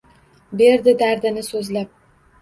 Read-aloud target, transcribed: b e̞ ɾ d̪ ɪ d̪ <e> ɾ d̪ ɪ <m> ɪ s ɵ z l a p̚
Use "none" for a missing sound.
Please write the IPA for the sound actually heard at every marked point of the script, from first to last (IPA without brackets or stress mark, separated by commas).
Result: a, n